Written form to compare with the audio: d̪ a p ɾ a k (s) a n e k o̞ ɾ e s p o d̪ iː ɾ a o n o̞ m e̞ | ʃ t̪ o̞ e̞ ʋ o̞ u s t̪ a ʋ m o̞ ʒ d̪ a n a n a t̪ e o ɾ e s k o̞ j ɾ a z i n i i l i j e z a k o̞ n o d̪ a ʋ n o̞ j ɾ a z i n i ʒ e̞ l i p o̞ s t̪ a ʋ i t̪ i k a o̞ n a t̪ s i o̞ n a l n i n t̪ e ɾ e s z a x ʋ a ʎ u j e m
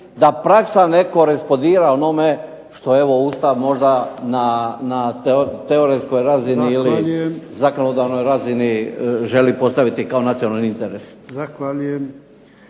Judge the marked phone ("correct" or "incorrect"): correct